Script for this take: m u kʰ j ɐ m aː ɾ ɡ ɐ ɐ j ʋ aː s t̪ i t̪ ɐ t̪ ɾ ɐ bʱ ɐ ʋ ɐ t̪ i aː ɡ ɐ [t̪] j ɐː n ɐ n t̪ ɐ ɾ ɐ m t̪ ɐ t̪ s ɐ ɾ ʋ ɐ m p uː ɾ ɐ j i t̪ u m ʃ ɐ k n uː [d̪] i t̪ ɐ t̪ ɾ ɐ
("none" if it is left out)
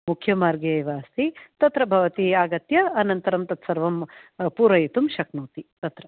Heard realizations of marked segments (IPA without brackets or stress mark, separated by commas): t̪, t̪